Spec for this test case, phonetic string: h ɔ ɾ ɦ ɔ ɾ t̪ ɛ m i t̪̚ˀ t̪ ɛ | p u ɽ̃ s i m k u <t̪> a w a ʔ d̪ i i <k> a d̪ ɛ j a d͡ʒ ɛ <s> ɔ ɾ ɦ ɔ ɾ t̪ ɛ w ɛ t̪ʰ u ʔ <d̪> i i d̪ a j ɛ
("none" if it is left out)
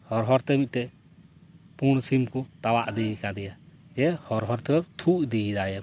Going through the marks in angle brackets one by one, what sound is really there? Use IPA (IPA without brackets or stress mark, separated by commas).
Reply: t̪, k, h, d̪